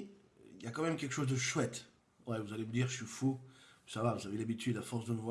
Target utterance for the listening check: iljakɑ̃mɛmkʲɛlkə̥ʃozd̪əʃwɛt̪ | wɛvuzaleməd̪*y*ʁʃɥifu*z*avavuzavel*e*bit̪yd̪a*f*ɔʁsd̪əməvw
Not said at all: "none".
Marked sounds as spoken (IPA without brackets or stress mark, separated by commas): i, s, a, f